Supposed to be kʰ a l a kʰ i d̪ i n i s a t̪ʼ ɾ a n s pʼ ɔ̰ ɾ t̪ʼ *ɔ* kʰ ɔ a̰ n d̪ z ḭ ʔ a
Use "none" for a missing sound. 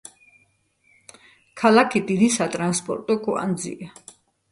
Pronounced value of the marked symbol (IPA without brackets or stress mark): ɔ